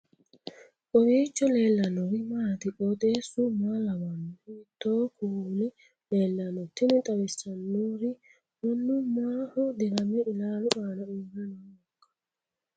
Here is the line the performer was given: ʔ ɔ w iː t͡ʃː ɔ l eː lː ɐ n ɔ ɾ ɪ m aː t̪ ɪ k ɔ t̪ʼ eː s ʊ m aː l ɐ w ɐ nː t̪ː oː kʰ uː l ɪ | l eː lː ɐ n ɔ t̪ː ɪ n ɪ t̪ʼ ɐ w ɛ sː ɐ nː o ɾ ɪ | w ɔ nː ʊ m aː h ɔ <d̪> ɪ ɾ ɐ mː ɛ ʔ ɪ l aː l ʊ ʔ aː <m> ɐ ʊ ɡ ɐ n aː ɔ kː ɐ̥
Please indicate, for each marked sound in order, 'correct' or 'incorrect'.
correct, incorrect: n

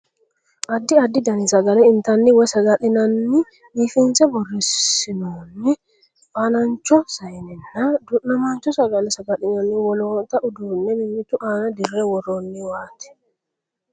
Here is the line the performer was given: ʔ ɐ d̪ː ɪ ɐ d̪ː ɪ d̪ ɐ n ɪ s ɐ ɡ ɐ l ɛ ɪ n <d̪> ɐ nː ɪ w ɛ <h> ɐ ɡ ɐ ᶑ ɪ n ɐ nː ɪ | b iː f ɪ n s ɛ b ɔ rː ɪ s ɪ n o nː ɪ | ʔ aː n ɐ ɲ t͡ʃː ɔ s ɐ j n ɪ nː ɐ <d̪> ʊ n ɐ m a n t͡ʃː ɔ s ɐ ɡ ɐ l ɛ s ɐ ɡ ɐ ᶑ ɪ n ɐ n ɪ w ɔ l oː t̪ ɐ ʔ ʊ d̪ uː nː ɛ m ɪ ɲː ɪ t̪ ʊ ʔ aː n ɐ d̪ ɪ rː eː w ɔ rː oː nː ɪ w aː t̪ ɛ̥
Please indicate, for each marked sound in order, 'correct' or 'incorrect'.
incorrect: t̪, incorrect: s, correct

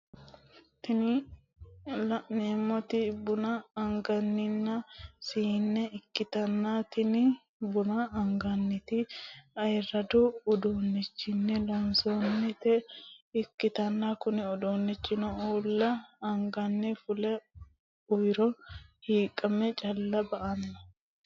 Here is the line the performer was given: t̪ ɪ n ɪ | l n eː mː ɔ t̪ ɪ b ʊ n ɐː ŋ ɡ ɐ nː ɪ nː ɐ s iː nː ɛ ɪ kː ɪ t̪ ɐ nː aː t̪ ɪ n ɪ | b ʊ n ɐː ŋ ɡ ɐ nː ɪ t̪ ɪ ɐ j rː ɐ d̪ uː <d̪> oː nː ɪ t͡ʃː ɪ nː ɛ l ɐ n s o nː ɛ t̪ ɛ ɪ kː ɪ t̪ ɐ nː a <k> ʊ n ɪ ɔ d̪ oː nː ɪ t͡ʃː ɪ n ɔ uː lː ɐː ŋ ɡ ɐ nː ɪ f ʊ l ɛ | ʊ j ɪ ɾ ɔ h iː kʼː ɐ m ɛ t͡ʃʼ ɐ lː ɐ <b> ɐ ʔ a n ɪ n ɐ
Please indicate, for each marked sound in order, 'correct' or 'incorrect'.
correct, correct, correct

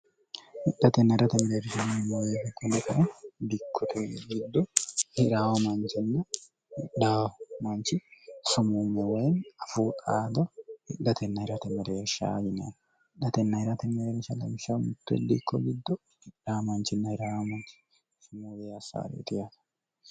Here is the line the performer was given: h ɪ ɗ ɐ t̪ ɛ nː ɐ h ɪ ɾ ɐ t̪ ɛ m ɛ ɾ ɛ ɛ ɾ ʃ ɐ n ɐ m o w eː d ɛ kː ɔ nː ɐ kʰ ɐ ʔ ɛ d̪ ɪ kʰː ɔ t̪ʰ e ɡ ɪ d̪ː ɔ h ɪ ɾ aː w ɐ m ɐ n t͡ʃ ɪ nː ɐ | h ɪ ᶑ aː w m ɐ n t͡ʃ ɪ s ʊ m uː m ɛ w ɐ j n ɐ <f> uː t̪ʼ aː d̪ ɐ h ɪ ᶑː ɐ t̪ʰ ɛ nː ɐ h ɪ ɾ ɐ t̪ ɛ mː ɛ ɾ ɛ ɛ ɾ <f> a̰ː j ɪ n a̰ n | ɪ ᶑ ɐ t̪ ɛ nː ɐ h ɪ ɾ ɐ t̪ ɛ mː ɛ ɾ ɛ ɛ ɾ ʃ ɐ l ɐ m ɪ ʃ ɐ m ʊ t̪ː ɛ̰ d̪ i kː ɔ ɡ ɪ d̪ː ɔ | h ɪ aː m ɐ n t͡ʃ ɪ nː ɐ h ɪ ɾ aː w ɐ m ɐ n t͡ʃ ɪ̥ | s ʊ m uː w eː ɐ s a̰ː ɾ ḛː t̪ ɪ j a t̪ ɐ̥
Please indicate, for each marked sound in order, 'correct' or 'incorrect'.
correct, incorrect: ʃ

